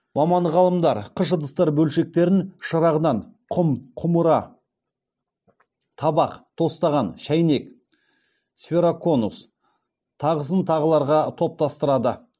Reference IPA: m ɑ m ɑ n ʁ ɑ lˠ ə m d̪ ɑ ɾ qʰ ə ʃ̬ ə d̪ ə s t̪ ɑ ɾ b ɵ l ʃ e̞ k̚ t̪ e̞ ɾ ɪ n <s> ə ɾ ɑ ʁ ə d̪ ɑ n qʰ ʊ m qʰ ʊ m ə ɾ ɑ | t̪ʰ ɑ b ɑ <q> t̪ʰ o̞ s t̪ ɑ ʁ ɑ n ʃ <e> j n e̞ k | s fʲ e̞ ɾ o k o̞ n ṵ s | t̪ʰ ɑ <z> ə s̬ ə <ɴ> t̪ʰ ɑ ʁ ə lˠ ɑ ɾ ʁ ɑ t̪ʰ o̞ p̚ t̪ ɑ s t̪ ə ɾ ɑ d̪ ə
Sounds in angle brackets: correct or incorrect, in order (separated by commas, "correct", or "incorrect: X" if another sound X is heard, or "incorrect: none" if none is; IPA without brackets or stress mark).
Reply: incorrect: ʃ, correct, incorrect: æ, incorrect: ʁ, incorrect: n